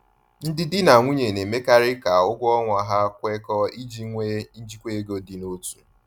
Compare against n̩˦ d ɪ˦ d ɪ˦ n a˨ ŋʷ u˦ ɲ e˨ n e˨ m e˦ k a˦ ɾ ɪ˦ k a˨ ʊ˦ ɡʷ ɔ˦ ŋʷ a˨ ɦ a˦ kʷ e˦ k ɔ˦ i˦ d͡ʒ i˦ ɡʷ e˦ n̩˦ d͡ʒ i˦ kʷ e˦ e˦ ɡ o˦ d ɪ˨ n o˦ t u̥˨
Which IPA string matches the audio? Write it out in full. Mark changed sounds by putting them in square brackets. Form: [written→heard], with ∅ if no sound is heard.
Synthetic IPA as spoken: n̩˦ d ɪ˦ d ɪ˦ n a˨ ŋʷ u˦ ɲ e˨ n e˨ m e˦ k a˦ ɾ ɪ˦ k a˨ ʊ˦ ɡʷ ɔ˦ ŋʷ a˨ ɦ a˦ kʷ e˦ k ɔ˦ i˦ d͡ʒ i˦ [ɡʷ→ŋʷ] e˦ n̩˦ d͡ʒ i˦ kʷ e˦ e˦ ɡ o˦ d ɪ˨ n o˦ t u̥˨